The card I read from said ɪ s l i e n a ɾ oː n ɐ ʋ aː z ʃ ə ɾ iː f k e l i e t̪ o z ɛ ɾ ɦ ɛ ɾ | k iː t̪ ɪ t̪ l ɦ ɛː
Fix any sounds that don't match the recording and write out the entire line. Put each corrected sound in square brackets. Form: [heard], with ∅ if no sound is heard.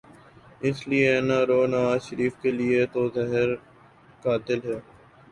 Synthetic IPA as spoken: ɪ s l i e n a ɾ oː n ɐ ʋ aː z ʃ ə ɾ iː f k e l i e t̪ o z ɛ [∅] ɦ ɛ ɾ | k [aː] t̪ ɪ [∅] l ɦ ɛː

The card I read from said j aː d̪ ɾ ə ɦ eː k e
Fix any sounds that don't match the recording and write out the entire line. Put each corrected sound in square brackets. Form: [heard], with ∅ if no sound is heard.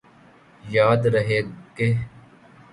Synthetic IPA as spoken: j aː d̪ ɾ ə ɦ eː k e

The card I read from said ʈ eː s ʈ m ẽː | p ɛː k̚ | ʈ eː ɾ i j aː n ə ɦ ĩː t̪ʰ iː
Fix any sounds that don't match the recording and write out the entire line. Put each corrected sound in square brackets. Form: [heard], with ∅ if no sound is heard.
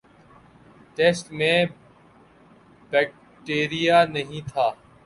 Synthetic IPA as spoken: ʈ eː s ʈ m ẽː | [b] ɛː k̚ | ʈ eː ɾ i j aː n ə ɦ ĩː t̪ʰ [aː]

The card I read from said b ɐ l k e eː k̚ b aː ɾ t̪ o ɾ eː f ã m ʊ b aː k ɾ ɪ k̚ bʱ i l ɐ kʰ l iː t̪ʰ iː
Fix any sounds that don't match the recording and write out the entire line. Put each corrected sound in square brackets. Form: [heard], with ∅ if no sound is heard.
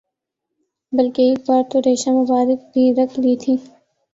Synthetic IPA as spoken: b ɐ l k e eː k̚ b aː ɾ t̪ o ɾ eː [ʃ] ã m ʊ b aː [∅] ɾ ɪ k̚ bʱ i [ɾ] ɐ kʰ l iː t̪ʰ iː

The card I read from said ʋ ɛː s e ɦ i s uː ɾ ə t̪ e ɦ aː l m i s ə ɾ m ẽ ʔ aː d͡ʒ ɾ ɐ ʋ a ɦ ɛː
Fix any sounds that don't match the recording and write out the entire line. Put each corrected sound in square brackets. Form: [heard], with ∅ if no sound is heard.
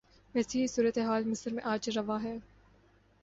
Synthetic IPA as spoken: ʋ ɛː s e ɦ i s uː ɾ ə t̪ e ɦ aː l m [ɪ] s ə ɾ m ẽ ʔ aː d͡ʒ ɾ ɐ ʋ a ɦ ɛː

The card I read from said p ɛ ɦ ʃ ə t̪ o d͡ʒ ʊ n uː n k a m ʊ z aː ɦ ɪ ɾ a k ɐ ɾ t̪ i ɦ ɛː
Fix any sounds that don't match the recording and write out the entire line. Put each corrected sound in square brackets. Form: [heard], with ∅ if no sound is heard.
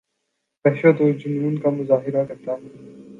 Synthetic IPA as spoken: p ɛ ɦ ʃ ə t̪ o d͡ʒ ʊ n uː n k a m ʊ z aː ɦ ɪ ɾ a k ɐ ɾ t̪ [a] ɦ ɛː

